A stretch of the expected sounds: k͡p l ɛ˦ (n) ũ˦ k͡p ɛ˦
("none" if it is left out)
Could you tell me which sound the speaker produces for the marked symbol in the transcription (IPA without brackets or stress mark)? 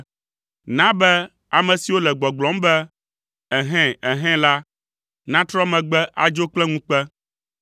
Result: ŋ